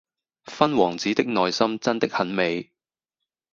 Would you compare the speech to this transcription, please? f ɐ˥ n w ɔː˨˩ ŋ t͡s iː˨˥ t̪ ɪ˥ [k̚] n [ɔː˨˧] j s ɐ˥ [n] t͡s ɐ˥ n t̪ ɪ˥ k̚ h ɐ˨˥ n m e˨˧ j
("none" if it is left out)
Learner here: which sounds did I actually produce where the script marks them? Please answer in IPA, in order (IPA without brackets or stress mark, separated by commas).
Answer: k̚, ɔː˨˧, m